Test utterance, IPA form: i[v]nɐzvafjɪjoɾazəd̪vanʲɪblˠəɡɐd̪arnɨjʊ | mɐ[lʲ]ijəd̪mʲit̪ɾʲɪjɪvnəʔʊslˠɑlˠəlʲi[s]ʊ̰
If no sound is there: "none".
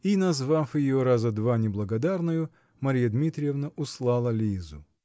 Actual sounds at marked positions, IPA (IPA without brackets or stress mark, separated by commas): none, ɾʲ, z